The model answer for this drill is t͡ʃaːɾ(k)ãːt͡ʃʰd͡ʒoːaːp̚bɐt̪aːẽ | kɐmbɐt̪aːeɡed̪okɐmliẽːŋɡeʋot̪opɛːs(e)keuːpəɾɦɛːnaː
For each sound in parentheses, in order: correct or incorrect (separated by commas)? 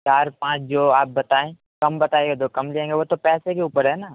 incorrect, correct